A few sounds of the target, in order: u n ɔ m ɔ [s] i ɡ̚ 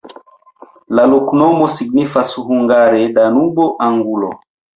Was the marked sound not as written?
no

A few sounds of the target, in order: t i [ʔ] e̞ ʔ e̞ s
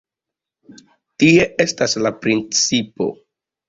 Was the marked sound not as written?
yes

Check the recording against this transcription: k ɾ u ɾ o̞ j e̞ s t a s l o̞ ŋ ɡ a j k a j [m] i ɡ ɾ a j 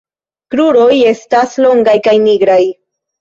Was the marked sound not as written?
yes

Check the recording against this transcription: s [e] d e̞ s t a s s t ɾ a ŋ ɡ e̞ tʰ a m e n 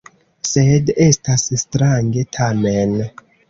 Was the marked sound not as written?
no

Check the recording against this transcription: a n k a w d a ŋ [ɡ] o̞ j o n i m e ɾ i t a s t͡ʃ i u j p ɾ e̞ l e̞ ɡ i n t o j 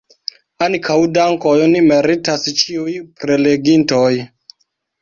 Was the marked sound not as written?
yes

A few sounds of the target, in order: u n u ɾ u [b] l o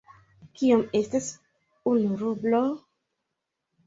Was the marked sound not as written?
no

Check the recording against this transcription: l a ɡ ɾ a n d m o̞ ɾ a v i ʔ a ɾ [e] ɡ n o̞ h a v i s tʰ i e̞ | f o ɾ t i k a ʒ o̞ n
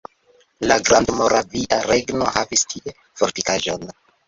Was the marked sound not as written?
no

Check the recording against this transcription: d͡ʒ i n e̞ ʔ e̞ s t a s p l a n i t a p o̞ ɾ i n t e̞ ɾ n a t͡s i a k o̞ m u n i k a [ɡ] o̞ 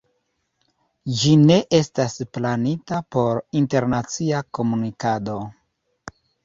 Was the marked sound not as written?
yes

